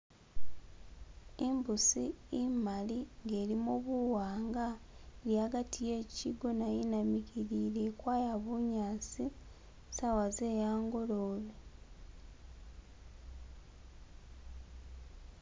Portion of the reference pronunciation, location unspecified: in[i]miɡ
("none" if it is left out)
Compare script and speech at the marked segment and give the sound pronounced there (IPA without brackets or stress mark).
a